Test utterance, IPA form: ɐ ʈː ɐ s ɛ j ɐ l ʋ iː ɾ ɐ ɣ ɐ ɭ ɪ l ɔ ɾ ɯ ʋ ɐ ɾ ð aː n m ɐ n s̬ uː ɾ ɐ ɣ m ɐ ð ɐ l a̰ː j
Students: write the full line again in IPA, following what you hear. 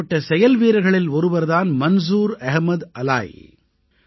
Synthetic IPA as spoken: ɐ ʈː ɐ s ɛ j ɐ l ʋ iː ɾ ɐ ɣ ɐ ɭ ɪ l ɔ ɾ ɯ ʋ ɐ ɾ ð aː n m ɐ n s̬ uː ɾ ɐ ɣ m ɐ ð ɐ l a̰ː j